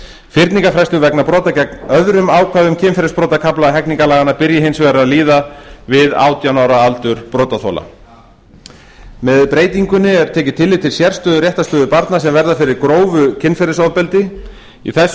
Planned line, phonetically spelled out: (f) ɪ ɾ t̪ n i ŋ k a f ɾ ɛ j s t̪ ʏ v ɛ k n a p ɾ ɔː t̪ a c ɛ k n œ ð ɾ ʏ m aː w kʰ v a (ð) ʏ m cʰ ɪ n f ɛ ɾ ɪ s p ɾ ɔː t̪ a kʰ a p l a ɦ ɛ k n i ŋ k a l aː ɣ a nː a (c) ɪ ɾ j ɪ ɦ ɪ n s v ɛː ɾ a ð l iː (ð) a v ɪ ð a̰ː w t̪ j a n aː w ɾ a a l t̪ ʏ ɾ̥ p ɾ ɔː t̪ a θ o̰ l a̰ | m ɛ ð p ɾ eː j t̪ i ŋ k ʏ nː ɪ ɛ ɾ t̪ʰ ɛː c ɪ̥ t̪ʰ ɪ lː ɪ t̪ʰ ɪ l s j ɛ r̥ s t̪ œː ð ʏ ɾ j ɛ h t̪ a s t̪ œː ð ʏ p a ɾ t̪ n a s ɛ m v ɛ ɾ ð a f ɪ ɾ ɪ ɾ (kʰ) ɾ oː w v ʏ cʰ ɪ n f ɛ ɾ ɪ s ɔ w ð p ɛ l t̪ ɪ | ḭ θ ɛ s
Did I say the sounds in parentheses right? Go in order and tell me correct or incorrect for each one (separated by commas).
correct, correct, incorrect, correct, incorrect